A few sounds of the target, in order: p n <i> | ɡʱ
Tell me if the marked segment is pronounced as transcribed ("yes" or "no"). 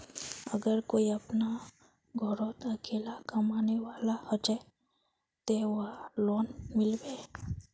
no